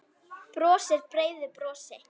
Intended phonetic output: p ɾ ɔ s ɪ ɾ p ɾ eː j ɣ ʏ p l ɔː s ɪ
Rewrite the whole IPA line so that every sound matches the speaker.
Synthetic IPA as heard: p ɾ ɔː s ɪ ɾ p ɾ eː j ð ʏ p ɾ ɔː s ɪ